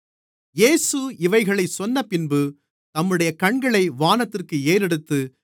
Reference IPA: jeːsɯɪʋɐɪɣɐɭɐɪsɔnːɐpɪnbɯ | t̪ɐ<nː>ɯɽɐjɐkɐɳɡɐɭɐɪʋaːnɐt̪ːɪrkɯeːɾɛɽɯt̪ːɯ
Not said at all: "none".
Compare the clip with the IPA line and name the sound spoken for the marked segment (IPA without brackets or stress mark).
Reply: mː